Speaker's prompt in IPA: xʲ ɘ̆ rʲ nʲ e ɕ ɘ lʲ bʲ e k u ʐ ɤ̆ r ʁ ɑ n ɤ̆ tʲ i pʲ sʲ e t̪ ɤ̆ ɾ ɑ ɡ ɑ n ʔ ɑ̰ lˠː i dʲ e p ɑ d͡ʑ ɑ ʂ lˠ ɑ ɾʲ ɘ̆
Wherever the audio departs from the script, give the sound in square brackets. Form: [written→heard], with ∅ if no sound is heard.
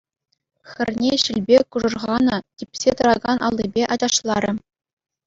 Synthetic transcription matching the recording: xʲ ɘ̆ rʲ nʲ e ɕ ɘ lʲ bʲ e k u ʐ ɤ̆ r ʁ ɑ n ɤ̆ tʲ i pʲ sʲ e t̪ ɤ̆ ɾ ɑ ɡ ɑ n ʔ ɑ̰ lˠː i [dʲ→bʲ] e [p→ʔ] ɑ d͡ʑ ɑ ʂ lˠ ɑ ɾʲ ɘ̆